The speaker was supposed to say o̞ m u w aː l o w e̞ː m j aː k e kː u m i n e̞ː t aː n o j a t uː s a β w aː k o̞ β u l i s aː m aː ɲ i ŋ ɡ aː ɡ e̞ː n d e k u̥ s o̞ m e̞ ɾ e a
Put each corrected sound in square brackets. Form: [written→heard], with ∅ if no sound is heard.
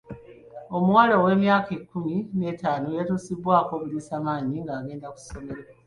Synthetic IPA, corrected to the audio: o̞ m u w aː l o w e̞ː m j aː k e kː u m i n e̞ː t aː n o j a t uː s [a→i] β w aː k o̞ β u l i s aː m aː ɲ i ŋ ɡ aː ɡ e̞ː n d [e→a] k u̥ s o̞ m e̞ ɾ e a